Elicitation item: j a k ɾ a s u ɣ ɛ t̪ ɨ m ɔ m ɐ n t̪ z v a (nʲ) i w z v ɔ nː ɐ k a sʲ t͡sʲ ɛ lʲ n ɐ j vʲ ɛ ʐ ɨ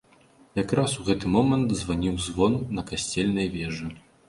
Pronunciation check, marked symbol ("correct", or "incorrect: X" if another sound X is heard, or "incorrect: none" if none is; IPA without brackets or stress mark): correct